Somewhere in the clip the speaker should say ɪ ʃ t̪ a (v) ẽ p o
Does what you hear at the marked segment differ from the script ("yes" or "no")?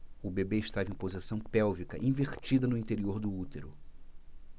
no